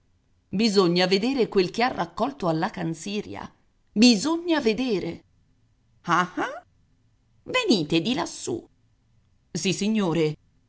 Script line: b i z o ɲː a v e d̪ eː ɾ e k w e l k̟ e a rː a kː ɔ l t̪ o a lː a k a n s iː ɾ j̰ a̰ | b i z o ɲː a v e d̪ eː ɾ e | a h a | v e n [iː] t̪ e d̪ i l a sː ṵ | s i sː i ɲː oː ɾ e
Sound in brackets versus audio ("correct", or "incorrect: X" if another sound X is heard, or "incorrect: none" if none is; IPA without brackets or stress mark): correct